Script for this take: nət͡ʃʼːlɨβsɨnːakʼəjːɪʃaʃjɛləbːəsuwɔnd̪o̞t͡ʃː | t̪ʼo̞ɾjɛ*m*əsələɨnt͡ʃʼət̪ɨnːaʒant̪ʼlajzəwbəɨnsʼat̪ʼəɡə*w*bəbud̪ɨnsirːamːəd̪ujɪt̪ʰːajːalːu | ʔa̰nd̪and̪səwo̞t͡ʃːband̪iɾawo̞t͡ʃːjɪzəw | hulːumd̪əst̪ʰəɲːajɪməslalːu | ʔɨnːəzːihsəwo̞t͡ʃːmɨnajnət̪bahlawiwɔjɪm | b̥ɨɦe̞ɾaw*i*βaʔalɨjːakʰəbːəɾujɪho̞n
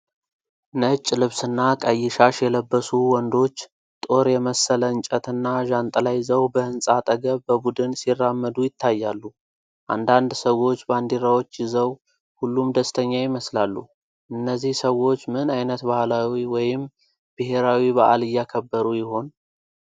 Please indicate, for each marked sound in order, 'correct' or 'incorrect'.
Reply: correct, incorrect, correct

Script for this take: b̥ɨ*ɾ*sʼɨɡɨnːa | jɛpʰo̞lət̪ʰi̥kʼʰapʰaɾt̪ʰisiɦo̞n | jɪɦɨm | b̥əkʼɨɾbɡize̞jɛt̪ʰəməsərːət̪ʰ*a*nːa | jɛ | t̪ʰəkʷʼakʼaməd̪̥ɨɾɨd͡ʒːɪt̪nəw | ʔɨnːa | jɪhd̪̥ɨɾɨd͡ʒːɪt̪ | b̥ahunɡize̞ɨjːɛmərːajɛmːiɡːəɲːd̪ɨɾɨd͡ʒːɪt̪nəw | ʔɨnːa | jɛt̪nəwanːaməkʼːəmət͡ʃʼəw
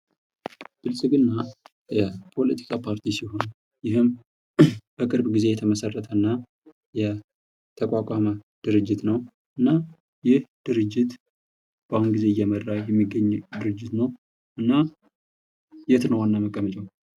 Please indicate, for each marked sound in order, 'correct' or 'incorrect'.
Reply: incorrect, incorrect

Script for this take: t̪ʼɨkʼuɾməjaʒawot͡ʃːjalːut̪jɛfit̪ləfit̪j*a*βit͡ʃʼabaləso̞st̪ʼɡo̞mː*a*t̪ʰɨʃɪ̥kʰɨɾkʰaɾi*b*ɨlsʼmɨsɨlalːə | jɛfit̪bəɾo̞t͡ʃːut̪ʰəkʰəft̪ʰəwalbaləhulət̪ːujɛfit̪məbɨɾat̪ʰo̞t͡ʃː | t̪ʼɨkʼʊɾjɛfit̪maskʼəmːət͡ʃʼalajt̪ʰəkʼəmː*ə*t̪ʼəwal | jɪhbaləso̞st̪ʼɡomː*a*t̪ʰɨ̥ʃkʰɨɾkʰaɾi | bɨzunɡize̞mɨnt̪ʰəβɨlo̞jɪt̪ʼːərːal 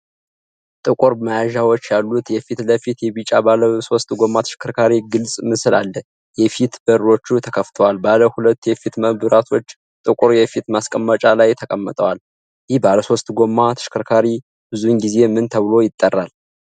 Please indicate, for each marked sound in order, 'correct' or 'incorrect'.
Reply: incorrect, correct, incorrect, correct, correct

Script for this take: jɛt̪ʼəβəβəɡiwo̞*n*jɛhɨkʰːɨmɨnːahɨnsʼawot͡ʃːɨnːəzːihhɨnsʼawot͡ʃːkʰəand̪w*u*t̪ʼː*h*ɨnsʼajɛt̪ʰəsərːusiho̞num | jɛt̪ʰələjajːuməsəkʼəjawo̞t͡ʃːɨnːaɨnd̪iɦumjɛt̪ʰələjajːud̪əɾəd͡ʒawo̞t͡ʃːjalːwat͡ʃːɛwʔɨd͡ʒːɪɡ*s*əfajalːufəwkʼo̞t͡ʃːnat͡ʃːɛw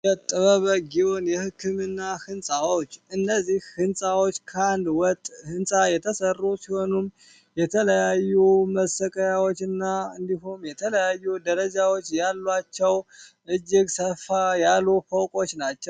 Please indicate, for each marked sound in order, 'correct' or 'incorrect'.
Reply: correct, incorrect, correct, correct

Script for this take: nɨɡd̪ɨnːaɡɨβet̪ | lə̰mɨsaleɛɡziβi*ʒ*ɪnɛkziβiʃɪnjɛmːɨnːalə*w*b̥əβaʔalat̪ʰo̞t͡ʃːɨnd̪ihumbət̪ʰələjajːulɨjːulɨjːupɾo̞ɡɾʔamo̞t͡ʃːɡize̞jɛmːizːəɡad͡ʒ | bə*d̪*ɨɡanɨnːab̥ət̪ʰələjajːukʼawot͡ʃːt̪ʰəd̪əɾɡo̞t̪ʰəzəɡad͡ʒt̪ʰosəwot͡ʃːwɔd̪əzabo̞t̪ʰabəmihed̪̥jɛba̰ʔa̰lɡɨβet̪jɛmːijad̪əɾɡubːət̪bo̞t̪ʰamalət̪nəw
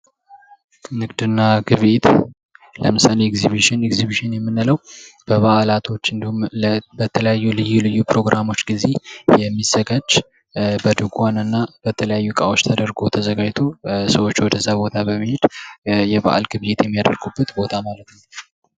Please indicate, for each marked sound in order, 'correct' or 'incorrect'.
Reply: incorrect, correct, correct

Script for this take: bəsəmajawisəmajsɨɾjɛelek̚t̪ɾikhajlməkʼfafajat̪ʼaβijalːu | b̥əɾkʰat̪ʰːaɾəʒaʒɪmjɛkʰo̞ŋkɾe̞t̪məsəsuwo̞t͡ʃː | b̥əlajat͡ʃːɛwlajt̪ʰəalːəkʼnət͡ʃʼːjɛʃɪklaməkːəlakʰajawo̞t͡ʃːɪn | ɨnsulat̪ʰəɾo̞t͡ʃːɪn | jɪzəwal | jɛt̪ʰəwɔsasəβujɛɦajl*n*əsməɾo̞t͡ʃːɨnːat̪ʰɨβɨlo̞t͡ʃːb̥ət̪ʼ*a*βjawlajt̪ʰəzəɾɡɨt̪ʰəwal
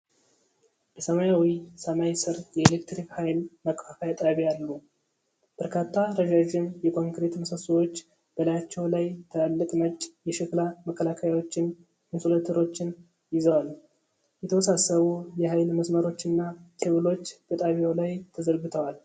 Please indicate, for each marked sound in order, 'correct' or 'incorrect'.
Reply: incorrect, correct

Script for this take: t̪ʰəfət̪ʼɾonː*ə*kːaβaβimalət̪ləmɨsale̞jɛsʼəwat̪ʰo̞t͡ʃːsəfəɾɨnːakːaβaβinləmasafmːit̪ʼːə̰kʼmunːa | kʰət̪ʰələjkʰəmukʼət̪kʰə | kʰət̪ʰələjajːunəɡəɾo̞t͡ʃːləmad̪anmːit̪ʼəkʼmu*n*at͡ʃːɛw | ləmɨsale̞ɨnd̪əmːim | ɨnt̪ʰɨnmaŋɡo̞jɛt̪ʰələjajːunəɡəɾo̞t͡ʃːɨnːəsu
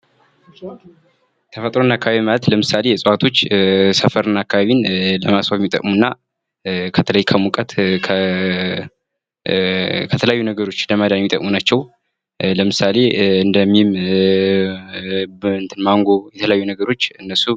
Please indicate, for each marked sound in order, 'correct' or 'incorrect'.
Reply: incorrect, correct

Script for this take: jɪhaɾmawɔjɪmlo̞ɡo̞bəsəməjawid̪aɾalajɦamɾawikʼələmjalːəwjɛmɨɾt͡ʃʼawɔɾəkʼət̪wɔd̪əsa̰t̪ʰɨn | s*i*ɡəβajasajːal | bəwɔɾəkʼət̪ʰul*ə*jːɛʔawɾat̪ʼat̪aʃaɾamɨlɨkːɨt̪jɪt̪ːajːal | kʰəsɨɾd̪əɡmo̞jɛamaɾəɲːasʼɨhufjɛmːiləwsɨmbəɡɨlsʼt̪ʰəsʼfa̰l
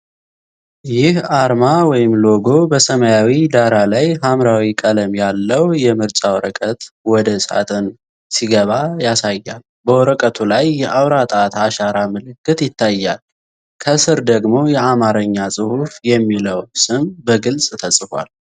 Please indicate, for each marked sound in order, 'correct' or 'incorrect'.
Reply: correct, incorrect

